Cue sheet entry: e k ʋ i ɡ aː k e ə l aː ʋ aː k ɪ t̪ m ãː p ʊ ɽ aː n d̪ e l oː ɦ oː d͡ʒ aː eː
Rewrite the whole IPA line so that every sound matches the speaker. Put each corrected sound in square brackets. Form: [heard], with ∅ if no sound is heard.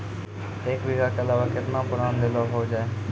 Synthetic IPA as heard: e k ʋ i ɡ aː k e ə l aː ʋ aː k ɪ t̪ [n] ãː p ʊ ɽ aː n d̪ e l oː ɦ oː d͡ʒ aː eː